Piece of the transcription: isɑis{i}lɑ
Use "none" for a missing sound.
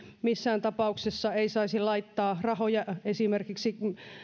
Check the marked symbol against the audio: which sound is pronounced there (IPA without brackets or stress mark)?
i